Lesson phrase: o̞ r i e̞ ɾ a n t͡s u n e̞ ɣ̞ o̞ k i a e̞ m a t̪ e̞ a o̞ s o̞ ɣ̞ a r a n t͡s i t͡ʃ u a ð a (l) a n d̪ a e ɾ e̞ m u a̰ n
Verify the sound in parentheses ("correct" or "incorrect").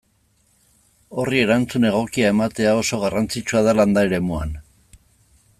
correct